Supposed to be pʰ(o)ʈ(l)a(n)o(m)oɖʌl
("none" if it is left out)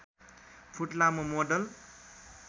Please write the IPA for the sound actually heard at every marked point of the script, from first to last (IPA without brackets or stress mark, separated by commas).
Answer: u, l, m, m